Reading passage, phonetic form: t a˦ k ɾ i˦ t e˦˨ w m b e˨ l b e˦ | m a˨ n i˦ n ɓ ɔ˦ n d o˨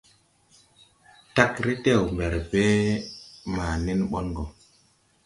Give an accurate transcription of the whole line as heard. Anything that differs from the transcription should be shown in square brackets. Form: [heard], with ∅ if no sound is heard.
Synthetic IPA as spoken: t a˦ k ɾ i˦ t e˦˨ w m b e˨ [ɾ] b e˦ | m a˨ n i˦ n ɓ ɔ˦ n [ɡ] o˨